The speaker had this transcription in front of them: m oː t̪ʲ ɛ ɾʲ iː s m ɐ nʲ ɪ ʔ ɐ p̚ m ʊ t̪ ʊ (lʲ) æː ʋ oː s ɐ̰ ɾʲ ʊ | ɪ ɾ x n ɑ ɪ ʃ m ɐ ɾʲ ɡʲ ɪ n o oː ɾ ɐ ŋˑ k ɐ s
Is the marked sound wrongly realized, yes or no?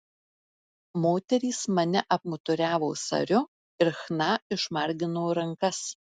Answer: yes